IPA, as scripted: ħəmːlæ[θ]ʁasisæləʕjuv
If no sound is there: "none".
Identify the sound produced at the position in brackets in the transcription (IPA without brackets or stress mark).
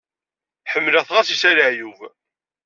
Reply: θ